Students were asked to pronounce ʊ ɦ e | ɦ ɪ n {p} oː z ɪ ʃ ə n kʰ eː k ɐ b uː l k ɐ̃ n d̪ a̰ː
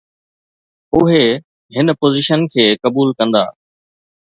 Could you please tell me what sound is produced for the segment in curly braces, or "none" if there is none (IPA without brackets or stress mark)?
p